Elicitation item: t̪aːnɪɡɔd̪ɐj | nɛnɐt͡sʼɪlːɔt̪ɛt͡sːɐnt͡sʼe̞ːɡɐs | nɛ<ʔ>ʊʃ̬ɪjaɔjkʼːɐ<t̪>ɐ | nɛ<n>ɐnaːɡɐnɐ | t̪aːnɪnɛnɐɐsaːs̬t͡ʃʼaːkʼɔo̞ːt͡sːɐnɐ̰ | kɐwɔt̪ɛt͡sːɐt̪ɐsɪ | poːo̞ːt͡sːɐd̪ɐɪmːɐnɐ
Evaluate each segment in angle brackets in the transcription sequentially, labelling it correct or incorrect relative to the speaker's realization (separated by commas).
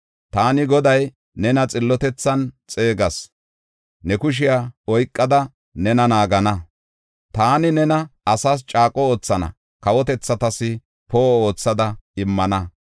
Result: incorrect, incorrect, correct